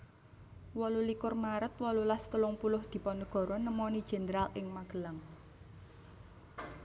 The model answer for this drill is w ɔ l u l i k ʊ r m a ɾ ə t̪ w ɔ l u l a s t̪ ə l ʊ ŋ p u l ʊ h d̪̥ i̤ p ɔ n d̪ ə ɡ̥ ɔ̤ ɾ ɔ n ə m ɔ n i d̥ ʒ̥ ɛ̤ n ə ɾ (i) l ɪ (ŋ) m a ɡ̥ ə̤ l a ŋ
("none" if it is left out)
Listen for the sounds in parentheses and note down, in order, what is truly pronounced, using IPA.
a, ŋ

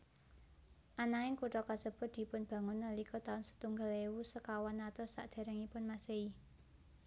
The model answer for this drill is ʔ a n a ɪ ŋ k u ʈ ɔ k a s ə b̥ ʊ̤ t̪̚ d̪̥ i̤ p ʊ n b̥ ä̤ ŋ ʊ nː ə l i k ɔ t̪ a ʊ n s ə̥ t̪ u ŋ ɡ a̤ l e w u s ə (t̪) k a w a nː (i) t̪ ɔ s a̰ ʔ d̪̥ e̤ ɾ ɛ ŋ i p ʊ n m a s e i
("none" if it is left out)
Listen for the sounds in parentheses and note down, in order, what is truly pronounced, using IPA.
none, a

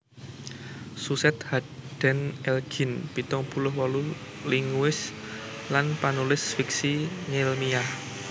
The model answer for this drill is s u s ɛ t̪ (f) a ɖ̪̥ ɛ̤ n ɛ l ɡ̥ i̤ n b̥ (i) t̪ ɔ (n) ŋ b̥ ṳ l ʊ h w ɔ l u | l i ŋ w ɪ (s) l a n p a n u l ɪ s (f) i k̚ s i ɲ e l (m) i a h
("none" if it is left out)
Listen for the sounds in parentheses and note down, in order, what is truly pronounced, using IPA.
h, i, none, s, f, m

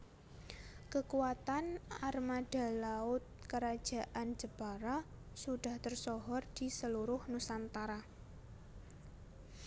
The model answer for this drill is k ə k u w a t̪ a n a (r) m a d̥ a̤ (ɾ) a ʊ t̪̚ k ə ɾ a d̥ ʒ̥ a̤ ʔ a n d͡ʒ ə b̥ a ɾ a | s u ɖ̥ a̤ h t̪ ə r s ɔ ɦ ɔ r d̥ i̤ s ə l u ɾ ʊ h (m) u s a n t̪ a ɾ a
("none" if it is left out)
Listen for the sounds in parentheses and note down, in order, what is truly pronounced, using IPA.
r, l, n

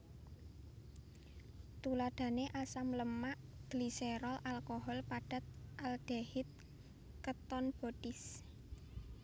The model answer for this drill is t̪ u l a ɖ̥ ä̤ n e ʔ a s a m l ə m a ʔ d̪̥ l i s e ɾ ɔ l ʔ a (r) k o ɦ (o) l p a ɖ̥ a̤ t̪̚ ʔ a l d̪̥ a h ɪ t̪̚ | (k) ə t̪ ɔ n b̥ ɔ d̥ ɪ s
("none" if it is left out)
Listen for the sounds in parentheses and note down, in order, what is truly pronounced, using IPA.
l, ɔ, k

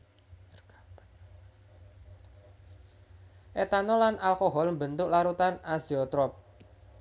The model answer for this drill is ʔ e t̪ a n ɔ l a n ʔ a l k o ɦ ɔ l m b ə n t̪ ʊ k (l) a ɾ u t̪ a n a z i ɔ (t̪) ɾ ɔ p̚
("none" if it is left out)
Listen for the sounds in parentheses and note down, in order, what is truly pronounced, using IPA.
l, t̪

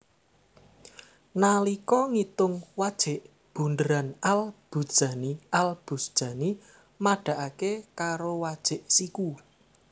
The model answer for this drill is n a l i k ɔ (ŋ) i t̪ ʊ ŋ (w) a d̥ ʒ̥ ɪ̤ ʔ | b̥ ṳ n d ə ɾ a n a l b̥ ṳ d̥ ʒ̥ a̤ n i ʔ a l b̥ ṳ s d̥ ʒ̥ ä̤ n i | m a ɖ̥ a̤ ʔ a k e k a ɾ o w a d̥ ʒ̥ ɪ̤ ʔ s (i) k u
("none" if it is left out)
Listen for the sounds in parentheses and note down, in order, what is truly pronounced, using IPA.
ŋ, w, i

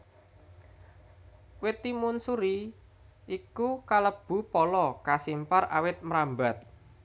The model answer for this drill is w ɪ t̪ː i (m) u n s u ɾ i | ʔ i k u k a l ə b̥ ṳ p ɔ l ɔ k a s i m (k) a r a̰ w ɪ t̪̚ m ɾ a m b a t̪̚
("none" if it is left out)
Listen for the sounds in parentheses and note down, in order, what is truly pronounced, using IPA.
m, p

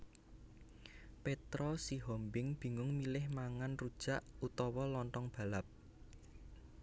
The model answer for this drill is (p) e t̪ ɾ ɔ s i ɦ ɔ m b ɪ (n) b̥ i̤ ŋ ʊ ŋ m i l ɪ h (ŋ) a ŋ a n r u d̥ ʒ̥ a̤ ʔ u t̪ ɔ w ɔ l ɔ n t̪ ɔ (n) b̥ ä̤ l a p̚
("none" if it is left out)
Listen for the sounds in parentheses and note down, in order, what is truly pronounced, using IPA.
p, ŋ, m, ŋ

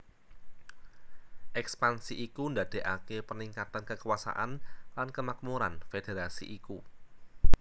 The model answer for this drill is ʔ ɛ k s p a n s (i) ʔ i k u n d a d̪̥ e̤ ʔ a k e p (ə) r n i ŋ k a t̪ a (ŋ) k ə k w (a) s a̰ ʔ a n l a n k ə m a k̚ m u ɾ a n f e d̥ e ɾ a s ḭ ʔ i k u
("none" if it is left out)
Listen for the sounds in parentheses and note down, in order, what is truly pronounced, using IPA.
i, ə, n, a

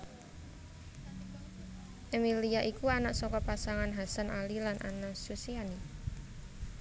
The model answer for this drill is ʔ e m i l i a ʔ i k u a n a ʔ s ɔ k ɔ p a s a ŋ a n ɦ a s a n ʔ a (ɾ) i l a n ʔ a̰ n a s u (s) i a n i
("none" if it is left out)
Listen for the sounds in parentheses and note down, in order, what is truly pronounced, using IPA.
l, s

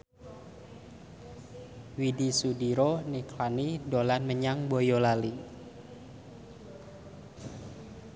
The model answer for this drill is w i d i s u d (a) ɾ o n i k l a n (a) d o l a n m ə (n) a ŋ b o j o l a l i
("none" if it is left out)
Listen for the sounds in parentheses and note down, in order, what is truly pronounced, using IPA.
i, i, ɲ

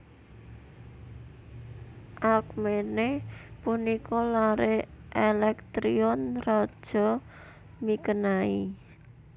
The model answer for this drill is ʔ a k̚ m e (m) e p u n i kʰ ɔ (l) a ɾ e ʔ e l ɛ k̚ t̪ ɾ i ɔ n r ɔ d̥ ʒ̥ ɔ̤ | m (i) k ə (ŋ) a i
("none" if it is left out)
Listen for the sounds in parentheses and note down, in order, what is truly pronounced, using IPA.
n, l, i, n

